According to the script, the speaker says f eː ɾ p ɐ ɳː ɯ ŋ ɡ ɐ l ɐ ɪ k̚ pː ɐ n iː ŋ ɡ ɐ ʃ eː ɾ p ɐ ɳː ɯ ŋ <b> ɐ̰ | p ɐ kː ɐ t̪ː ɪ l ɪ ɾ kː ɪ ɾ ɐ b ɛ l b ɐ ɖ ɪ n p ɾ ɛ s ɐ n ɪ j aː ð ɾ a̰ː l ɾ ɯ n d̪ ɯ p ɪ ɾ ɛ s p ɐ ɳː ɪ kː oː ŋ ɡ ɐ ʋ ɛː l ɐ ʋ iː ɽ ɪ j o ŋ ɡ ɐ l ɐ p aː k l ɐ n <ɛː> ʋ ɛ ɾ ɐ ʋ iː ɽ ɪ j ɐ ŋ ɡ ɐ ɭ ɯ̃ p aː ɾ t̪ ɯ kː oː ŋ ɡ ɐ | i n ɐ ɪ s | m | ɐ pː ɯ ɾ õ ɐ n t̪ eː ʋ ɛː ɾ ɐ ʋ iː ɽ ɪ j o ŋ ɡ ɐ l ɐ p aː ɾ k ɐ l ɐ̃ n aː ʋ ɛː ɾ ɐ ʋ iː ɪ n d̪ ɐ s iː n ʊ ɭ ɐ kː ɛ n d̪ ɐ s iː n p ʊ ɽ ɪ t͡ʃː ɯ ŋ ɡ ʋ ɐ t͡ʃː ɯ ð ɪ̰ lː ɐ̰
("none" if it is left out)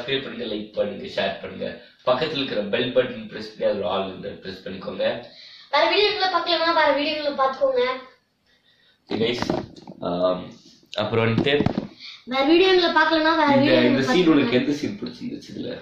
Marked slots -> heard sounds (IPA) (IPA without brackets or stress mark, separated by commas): ɡ, aː